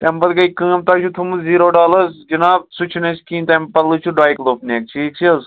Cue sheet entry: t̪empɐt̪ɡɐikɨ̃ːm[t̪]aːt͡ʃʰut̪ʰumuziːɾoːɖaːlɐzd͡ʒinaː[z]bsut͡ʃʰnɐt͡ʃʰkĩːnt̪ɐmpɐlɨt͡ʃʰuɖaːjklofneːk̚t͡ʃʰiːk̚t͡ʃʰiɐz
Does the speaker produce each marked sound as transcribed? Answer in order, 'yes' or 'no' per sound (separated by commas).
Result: yes, no